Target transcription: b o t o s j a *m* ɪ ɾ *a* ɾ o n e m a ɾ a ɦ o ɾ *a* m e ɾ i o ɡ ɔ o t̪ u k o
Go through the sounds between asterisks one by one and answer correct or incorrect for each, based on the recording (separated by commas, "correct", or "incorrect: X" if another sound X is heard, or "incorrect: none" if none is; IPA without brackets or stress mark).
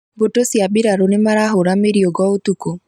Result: incorrect: b, correct, correct